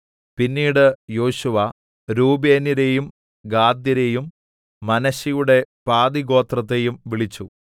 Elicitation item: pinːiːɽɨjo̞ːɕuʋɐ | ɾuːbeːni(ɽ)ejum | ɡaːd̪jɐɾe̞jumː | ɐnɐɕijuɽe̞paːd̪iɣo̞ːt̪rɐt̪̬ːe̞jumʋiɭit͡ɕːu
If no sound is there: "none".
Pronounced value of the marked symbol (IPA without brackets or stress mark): ɾ